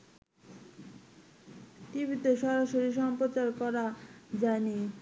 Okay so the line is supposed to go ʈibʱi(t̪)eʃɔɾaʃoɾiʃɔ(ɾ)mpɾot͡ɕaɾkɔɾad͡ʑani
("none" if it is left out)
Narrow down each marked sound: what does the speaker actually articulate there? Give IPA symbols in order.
t̪, none

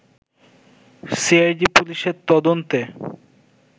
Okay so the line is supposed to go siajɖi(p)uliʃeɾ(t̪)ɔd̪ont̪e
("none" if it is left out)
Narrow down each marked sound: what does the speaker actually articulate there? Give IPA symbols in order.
p, t̪

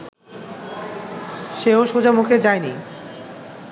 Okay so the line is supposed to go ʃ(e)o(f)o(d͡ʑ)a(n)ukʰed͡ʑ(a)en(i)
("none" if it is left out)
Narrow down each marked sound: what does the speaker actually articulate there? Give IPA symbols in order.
e, ʃ, d͡ʑ, m, a, i

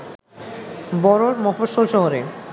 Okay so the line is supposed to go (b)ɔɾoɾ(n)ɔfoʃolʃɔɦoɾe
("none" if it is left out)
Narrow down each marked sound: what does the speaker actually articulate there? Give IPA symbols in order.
b, m

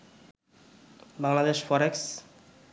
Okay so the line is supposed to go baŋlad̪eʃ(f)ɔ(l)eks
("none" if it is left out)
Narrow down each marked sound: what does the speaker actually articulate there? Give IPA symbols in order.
f, ɾ

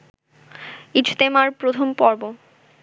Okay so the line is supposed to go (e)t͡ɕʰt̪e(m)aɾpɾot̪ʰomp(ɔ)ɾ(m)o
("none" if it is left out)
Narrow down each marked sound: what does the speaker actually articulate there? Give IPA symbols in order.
i, m, ɔ, b

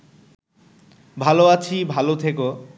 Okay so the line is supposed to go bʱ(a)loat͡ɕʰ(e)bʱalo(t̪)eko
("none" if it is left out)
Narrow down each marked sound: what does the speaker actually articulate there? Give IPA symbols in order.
a, i, t̪ʰ

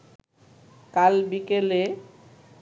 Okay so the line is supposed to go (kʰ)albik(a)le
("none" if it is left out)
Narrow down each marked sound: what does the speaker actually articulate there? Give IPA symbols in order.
k, e

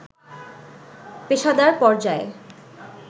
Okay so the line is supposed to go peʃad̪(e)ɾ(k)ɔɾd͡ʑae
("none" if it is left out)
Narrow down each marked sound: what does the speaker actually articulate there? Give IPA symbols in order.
a, p

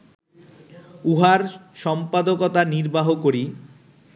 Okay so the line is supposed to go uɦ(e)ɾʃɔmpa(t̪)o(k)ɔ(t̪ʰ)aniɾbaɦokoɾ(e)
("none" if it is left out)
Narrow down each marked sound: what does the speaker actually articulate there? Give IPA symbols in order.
a, d̪, k, t̪, i

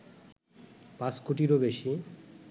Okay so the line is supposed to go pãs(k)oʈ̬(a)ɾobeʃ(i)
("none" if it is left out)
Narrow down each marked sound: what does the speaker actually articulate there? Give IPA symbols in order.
k, i, i

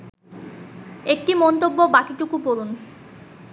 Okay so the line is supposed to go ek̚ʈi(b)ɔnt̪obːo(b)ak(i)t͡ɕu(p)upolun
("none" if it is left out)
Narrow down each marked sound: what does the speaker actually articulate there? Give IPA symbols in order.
m, b, i, k

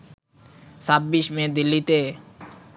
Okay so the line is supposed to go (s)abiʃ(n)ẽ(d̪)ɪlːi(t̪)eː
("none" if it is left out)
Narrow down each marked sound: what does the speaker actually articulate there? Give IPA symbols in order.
s, m, d̪, t̪

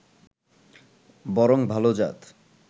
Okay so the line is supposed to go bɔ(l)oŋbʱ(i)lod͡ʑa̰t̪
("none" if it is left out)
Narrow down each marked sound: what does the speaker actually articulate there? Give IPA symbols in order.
ɾ, a

